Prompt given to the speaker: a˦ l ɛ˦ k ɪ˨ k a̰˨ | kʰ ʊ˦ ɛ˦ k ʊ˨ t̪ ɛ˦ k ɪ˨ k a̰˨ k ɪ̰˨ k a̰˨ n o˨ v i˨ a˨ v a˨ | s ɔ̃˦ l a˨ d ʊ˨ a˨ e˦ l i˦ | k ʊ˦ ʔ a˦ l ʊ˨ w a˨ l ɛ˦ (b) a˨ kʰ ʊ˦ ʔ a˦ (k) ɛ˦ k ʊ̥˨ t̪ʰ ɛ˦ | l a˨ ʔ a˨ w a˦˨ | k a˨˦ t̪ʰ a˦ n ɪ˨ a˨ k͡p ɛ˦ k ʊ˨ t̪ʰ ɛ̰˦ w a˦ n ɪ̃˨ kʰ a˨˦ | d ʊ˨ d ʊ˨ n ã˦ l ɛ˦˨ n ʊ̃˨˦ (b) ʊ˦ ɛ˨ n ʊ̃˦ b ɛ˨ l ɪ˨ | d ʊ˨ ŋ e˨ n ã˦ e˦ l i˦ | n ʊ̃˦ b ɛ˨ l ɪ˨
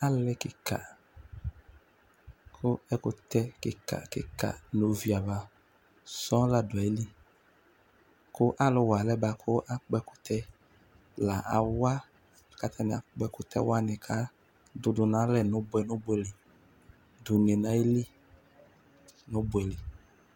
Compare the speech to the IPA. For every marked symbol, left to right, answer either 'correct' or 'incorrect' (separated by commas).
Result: correct, incorrect, correct